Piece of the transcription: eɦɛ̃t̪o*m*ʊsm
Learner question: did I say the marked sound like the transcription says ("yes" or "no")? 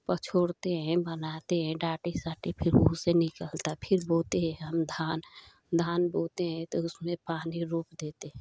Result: no